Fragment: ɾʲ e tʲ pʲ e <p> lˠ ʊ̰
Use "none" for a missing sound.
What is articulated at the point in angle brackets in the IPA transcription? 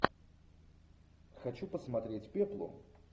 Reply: p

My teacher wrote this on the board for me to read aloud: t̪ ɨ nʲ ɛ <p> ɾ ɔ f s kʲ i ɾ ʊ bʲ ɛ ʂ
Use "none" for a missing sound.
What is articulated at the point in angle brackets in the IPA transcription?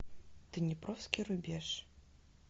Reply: p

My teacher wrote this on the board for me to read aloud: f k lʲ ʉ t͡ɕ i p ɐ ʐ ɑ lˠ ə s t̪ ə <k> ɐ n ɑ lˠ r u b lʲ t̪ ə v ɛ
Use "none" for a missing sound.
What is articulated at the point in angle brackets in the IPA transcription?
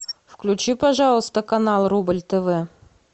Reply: k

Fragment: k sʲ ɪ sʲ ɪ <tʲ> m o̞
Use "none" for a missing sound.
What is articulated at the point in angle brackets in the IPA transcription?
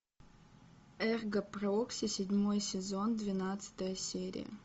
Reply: dʲ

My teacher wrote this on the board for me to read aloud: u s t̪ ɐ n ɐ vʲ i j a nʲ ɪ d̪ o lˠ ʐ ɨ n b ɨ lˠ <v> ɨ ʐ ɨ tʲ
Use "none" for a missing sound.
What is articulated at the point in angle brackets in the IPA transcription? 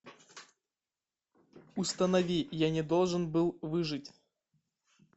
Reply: v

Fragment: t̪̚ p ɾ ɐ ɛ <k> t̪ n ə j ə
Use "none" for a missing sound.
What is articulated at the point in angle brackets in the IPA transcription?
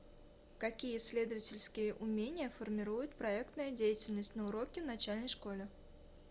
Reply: k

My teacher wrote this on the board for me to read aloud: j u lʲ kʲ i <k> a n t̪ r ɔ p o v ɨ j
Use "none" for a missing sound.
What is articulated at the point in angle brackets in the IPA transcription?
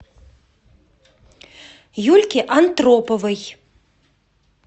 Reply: ʔ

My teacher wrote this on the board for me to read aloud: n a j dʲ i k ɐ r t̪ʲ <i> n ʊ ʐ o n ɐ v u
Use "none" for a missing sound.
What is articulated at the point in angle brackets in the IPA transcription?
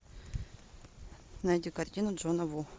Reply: i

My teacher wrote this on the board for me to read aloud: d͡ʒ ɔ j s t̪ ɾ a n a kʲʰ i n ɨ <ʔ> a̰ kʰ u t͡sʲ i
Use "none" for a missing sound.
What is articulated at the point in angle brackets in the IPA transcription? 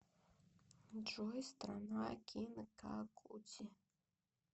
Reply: k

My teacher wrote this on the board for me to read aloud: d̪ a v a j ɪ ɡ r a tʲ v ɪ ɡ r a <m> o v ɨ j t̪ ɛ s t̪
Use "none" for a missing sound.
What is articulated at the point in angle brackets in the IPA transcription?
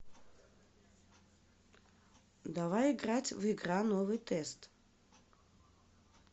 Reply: n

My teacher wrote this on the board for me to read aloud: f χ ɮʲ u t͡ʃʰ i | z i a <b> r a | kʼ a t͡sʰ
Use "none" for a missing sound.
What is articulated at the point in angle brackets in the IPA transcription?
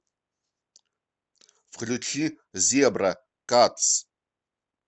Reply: b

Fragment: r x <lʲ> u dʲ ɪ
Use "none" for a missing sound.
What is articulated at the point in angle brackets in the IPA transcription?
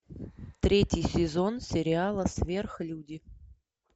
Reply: lʲ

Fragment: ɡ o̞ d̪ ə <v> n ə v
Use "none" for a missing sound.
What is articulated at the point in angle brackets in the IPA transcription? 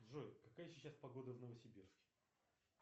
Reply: v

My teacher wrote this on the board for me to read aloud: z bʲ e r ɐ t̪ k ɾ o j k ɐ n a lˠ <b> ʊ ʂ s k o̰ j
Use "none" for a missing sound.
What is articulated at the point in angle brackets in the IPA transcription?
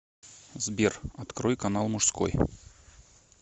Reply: m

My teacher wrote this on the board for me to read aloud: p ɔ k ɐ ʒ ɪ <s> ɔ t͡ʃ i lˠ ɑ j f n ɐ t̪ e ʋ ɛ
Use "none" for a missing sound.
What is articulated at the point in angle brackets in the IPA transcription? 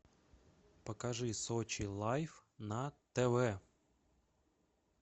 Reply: s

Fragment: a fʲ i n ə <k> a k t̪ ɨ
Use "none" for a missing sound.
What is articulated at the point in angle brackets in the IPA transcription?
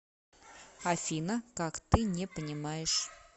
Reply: k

